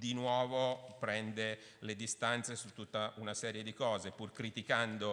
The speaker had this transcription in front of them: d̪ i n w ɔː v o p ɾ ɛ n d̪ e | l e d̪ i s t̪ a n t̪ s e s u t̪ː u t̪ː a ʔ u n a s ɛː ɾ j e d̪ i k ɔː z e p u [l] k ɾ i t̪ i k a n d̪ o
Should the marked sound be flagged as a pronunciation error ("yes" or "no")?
yes